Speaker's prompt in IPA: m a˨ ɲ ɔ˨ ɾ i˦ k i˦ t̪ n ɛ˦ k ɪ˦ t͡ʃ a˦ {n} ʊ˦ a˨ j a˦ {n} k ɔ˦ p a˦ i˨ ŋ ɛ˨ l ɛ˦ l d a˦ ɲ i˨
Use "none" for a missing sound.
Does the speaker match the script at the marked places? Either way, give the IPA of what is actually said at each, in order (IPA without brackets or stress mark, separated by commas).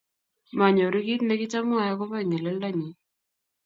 m, none